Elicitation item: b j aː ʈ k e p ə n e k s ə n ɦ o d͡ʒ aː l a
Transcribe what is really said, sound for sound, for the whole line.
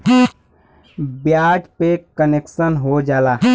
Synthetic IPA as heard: b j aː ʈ p e k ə n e k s ə n ɦ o d͡ʒ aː l a